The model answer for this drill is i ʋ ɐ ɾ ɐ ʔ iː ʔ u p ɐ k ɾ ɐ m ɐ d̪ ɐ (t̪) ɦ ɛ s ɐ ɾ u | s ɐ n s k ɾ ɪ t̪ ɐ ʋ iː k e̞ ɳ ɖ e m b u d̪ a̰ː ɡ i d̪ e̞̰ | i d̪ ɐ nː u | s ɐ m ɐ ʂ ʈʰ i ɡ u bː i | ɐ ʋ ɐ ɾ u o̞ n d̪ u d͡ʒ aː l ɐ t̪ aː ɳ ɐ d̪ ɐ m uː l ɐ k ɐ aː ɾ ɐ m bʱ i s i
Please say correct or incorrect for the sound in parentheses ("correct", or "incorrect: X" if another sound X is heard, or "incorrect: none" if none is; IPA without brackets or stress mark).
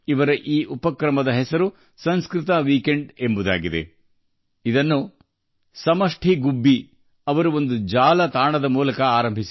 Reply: incorrect: none